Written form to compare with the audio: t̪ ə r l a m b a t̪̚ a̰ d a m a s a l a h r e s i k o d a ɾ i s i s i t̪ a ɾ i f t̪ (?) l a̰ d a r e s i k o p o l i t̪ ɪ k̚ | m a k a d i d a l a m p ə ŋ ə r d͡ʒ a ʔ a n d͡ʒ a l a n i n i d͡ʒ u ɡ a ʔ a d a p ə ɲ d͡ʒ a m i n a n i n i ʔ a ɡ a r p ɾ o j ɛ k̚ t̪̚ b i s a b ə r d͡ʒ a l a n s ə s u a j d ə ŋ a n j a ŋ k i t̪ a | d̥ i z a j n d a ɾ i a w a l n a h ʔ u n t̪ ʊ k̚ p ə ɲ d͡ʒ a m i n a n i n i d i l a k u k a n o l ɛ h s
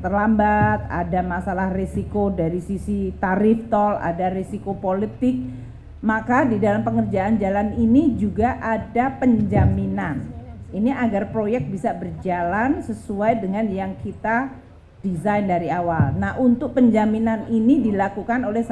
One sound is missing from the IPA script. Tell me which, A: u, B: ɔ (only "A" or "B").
B